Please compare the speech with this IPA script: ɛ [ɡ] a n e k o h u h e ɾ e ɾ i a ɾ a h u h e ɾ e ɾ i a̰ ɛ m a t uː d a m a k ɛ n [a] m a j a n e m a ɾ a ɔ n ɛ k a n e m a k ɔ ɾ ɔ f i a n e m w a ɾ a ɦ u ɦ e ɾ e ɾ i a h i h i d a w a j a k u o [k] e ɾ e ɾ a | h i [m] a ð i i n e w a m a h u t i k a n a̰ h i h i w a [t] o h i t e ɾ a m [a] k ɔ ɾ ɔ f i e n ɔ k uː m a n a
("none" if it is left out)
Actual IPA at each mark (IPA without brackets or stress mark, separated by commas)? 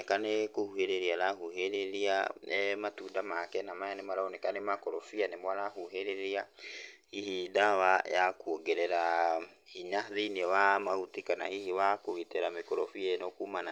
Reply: k, a, ɡ, ɲ, k, e